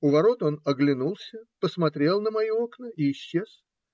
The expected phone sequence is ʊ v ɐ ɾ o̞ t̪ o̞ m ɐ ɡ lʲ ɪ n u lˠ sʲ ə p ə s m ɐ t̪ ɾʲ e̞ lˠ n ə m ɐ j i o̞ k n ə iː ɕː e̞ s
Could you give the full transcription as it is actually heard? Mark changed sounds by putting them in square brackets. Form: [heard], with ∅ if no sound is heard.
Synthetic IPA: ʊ v ɐ ɾ o̞ t̪ o̞ [n] ɐ ɡ lʲ ɪ n u lˠ sʲ ə p ə s m ɐ t̪ ɾʲ e̞ lˠ n ə m ɐ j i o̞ k n ə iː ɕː e̞ s